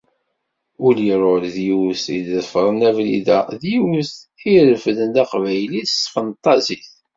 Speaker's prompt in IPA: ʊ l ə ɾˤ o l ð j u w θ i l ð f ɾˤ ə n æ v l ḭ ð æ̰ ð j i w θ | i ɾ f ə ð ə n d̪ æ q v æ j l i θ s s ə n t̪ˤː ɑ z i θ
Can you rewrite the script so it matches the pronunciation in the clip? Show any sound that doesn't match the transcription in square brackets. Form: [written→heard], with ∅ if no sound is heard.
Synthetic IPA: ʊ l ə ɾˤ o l ð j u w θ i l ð f ɾˤ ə n æ v l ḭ ð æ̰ ð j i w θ | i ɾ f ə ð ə n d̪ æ q v æ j l i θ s [s→f] ə n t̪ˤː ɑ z i θ